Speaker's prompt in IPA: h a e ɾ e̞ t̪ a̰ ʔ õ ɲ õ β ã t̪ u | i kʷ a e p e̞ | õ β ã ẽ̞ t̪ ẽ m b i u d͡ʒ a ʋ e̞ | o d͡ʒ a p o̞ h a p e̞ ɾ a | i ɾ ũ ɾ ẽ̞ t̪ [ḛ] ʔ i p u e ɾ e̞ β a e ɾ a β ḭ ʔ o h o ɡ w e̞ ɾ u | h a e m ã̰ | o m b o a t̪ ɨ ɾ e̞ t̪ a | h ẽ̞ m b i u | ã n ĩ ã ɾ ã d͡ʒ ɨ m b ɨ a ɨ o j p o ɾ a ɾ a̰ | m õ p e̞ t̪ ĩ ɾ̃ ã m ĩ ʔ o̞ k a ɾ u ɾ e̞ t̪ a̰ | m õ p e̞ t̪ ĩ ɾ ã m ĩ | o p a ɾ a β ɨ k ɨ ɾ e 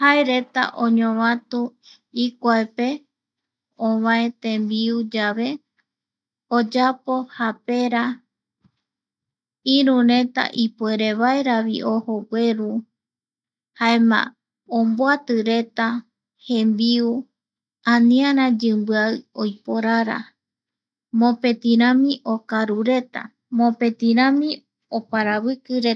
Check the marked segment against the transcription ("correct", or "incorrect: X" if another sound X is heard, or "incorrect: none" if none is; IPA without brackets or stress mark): incorrect: a̰